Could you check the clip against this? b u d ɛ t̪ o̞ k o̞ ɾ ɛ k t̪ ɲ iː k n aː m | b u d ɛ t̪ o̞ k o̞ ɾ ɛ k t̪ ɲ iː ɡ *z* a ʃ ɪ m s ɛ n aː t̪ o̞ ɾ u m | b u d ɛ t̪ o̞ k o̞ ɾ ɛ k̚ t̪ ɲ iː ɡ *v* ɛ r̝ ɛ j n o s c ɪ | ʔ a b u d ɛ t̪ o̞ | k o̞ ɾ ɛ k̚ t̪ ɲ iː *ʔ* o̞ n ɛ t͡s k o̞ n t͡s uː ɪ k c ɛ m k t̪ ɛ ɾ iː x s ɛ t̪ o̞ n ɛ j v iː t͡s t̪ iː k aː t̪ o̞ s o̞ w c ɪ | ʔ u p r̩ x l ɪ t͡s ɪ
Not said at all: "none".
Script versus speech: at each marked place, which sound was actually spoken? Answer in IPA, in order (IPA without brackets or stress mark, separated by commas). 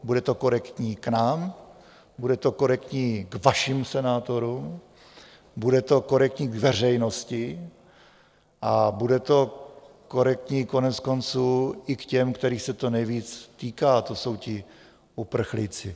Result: v, v, k